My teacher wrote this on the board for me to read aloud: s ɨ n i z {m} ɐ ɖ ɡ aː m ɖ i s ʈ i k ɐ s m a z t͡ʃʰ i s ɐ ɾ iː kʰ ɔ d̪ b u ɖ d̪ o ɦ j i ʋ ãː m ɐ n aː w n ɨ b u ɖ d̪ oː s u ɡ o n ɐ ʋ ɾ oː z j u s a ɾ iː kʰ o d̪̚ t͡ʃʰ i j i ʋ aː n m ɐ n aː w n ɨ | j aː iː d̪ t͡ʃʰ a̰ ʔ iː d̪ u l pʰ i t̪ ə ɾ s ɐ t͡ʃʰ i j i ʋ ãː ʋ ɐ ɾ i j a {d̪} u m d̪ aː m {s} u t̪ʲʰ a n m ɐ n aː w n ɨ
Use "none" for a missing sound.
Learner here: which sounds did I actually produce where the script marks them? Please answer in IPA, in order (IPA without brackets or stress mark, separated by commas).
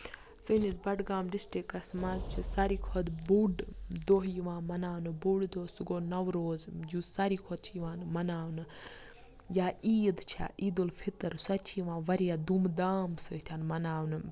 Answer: b, d̪, s